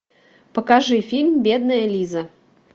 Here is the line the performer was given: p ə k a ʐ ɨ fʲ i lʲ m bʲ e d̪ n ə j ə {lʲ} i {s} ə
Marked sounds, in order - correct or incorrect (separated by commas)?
correct, incorrect